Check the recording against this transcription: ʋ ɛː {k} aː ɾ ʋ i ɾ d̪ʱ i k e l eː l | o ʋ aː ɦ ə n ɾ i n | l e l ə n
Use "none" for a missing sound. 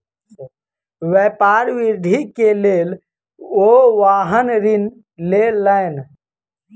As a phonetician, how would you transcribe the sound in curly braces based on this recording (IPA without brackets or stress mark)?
p